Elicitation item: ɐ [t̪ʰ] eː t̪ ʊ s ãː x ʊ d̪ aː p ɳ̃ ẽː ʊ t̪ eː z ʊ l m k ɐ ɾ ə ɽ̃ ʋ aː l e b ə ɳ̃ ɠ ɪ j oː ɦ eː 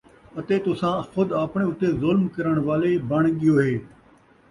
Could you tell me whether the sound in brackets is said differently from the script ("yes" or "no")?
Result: yes